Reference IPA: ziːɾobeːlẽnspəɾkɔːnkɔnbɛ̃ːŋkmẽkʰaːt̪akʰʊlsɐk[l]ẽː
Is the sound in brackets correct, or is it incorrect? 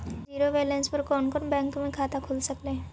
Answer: correct